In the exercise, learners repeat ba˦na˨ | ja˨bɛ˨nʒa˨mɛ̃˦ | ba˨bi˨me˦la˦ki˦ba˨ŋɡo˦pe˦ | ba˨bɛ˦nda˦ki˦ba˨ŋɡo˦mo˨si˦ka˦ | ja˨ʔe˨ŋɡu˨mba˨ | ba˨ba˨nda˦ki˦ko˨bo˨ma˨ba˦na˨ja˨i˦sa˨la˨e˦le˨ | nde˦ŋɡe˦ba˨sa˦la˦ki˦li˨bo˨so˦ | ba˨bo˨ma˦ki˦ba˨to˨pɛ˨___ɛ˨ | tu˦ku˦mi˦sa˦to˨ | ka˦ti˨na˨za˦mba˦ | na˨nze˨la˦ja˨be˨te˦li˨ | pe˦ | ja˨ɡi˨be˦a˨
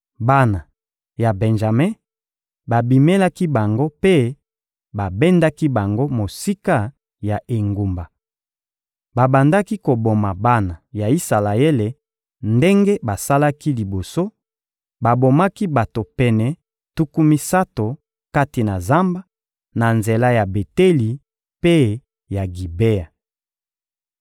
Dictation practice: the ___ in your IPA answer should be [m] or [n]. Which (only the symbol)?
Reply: n